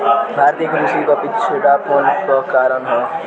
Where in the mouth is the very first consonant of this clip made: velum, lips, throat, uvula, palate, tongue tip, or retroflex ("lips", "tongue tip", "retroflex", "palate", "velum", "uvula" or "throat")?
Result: lips